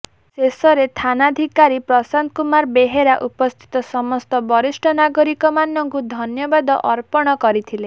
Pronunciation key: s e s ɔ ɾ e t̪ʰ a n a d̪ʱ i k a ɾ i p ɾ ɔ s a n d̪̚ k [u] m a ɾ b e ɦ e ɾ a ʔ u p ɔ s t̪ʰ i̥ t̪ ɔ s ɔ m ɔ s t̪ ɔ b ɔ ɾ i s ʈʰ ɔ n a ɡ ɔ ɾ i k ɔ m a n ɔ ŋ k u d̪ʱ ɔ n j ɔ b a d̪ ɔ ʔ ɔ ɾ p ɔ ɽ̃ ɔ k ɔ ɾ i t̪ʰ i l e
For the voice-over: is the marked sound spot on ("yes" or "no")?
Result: yes